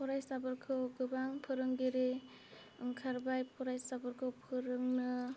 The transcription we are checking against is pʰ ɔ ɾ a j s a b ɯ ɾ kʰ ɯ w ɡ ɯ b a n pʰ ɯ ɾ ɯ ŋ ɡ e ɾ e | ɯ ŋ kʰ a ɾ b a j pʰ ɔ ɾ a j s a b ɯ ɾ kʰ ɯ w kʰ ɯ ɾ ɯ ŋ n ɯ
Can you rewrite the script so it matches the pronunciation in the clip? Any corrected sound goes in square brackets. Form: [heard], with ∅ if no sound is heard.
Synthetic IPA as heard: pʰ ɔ ɾ a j s a b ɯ ɾ kʰ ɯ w ɡ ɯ b a [ŋ] pʰ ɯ ɾ ɯ ŋ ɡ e ɾ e | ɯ ŋ kʰ a ɾ b a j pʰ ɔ ɾ a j s a b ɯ ɾ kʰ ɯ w [pʰ] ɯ ɾ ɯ ŋ n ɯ